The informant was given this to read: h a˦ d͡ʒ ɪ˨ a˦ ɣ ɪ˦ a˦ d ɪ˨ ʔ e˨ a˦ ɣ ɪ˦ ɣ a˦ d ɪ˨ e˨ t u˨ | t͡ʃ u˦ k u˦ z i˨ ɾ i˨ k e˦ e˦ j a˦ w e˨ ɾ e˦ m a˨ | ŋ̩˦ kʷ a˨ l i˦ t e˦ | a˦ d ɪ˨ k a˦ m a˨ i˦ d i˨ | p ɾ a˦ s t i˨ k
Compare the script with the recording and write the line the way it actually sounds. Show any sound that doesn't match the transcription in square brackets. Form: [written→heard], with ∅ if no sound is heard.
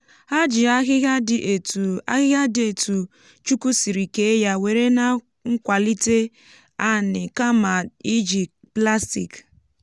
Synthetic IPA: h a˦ d͡ʒ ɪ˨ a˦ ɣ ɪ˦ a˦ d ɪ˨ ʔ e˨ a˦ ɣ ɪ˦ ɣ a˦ d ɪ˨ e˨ t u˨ | t͡ʃ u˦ k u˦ [z→s] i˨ ɾ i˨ k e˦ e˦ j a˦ w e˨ ɾ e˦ [m→n] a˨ | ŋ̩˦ kʷ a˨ l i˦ t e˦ | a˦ [d→n] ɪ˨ k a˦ m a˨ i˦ [d→d͡ʒ] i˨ | p [ɾ→l] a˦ s t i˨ k